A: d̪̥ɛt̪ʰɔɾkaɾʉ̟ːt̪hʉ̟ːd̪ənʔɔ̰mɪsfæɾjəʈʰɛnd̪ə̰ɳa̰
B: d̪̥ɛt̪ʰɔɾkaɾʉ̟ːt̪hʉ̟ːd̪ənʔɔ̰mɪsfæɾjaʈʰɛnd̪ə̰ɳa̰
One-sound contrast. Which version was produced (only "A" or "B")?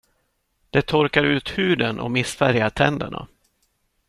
B